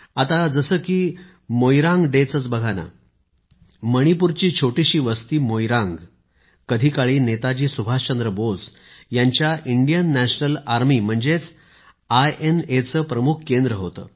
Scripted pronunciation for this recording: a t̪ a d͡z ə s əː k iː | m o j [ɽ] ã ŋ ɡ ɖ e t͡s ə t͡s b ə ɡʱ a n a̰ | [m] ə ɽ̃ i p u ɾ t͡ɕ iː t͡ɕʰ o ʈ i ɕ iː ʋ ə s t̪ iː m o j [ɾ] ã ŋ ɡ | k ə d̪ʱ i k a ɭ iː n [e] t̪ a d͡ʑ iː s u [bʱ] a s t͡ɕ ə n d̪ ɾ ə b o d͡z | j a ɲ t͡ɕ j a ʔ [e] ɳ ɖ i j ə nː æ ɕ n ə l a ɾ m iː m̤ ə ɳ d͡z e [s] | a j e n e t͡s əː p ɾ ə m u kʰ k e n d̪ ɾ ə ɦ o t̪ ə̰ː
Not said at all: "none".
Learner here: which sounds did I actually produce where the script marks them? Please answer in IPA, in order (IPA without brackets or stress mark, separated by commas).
ɾ, m, ɾ, e, bʱ, i, t͡s